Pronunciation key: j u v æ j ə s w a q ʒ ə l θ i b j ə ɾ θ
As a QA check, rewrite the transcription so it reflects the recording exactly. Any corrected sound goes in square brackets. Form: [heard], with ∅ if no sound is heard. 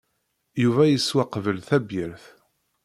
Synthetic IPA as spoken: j u v æ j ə s w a q [v] ə l θ [æ] b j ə ɾ θ